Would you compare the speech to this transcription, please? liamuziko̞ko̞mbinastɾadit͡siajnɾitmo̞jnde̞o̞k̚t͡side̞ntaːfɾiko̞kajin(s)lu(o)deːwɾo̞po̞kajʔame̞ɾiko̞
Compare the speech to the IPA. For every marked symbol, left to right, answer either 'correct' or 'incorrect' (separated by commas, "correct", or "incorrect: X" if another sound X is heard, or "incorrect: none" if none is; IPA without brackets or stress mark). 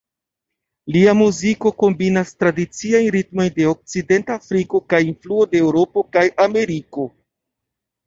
incorrect: f, correct